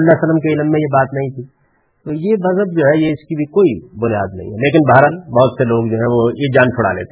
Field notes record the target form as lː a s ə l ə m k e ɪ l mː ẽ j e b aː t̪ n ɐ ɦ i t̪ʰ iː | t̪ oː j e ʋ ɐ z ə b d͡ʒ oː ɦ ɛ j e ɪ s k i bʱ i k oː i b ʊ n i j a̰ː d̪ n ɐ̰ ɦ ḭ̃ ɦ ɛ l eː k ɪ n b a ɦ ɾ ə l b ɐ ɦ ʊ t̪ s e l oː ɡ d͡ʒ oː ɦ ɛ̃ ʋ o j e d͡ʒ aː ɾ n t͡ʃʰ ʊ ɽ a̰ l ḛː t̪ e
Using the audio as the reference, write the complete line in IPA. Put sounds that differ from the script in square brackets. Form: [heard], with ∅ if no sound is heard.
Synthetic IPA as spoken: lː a s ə l ə m k e ɪ l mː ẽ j e b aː t̪ n ɐ ɦ [ĩ] t̪ʰ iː | t̪ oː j e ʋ ɐ z ə b d͡ʒ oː ɦ ɛ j e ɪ s k i bʱ i k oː i b ʊ n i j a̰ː d̪ n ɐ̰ ɦ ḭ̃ ɦ ɛ l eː k ɪ n b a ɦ ɾ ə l b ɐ ɦ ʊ t̪ s e l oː ɡ d͡ʒ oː ɦ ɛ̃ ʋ o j e d͡ʒ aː [∅] n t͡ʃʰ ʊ ɽ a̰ l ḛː t̪ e